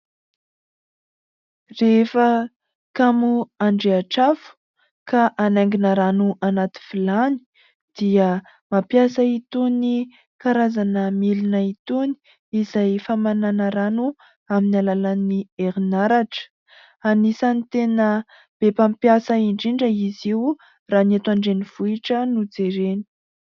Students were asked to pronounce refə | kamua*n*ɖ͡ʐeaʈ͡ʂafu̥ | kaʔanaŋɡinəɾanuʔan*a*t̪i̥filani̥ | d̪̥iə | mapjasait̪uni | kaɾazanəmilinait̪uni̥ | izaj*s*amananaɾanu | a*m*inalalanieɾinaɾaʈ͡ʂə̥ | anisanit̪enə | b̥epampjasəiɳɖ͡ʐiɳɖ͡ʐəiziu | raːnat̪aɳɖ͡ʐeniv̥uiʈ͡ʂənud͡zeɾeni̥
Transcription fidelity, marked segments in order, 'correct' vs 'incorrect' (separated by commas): incorrect, correct, incorrect, correct